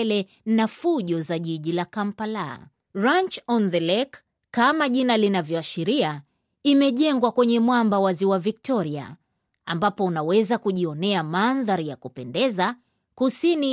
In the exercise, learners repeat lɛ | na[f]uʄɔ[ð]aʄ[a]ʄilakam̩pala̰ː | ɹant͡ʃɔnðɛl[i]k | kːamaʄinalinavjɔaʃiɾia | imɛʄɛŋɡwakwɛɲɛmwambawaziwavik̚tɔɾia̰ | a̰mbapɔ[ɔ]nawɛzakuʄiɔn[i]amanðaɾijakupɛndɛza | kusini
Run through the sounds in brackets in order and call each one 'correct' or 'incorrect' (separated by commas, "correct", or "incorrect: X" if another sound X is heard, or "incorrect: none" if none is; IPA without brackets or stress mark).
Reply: correct, incorrect: z, incorrect: i, incorrect: ɛ, incorrect: u, incorrect: ɛ